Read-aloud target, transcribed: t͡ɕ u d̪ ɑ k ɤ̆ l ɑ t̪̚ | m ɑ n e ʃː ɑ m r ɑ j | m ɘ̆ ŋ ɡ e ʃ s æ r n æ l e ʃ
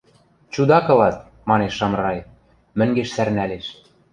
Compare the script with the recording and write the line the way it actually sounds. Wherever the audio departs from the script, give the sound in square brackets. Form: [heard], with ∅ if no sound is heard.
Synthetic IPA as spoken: t͡ɕ u d̪ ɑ k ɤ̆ l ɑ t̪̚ | m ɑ n e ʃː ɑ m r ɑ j | m ɘ̆ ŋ ɡ e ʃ s æ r n æ l e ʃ